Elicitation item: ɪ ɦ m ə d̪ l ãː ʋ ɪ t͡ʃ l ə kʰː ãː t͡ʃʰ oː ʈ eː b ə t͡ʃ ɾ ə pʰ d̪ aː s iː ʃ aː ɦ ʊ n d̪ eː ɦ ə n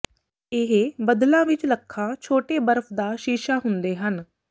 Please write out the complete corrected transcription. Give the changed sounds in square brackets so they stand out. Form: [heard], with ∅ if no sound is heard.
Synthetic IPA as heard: ɪ ɦ [b] ə d̪ l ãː ʋ ɪ t͡ʃ l ə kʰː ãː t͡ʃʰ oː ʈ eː b ə [∅] ɾ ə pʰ d̪ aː [ʃ] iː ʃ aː ɦ ʊ n d̪ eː ɦ ə n